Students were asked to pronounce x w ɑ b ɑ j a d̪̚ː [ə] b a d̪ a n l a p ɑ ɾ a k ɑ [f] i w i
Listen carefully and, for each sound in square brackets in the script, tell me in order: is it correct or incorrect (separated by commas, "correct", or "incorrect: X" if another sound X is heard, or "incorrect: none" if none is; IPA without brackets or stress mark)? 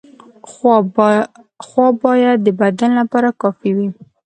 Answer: correct, correct